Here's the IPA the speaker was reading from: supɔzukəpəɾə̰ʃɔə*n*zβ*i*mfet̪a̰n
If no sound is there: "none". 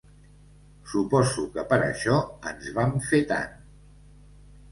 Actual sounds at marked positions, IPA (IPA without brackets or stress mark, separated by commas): n, a